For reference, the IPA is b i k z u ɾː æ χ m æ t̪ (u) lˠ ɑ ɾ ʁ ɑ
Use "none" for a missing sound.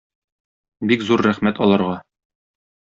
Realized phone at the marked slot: ɒ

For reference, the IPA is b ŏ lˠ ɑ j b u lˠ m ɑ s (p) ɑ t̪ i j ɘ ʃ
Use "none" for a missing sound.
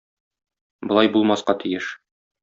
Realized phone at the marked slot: q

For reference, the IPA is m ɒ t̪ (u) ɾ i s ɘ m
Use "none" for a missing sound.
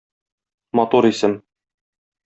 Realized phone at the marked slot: u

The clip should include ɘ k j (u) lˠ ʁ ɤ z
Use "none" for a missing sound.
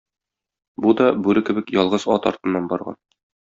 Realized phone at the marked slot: ɒ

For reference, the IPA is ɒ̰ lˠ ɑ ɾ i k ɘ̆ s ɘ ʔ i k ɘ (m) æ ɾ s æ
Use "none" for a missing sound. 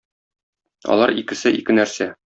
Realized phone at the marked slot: n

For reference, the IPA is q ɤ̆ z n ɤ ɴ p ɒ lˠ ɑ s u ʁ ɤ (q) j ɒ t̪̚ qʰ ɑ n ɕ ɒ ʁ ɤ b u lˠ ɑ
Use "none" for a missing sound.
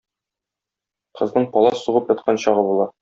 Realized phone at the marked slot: p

